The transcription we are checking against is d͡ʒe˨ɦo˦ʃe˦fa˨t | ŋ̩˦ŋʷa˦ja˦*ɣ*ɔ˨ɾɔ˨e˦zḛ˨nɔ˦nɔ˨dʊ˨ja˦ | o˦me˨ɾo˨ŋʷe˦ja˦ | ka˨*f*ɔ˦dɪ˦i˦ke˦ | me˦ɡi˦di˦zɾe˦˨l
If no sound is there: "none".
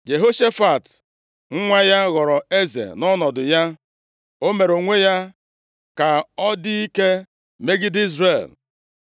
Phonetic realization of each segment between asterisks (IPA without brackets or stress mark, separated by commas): ɣ, none